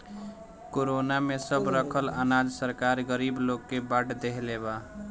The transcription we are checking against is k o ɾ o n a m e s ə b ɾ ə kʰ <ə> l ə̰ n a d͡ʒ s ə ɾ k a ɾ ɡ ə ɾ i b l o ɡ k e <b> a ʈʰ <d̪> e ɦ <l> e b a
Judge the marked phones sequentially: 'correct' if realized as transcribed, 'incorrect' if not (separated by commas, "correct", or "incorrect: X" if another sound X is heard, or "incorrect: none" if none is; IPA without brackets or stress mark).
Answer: correct, correct, correct, correct